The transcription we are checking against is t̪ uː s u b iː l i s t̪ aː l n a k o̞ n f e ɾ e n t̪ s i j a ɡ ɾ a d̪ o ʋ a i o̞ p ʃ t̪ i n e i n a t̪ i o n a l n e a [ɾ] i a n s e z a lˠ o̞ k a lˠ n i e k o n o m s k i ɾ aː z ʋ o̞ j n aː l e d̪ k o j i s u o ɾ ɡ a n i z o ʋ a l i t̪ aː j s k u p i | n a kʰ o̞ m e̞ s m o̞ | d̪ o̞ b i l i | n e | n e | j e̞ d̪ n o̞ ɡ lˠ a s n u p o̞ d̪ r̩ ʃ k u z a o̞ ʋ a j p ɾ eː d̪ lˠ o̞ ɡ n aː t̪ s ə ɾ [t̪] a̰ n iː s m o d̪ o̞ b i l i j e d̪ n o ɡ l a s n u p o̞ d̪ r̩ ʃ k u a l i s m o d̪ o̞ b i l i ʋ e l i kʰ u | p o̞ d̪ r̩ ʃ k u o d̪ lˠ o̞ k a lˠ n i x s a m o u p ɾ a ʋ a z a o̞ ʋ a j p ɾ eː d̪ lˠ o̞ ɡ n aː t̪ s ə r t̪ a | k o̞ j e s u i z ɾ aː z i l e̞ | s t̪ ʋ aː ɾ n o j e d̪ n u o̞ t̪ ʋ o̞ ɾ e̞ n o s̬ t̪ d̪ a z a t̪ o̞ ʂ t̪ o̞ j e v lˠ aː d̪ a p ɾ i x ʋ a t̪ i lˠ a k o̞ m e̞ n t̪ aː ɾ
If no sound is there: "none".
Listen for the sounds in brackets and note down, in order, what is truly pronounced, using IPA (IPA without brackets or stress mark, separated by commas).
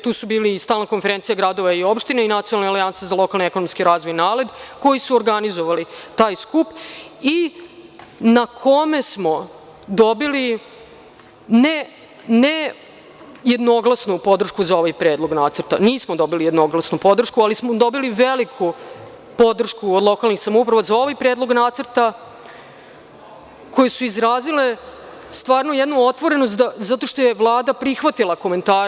l, t̪